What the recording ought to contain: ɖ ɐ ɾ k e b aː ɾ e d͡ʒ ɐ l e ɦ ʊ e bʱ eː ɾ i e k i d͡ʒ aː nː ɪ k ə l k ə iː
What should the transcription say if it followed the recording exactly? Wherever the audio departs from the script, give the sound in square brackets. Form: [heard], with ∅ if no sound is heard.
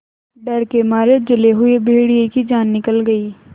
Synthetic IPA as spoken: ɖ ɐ ɾ k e [m] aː ɾ e d͡ʒ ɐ l e ɦ ʊ e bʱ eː [ɽ] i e k i d͡ʒ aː nː ɪ k ə l [ɡ] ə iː